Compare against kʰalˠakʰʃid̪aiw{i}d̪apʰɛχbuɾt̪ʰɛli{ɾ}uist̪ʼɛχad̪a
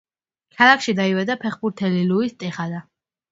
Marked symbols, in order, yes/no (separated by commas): no, no